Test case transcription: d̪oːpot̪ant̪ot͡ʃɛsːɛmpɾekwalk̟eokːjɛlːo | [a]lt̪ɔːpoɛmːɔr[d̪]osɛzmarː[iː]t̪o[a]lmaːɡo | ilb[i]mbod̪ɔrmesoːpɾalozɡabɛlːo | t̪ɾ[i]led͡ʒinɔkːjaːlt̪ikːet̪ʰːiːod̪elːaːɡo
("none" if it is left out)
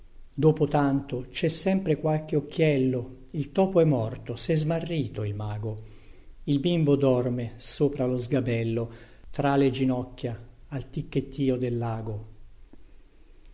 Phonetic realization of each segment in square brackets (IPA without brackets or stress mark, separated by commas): i, t̪, iː, i, i, a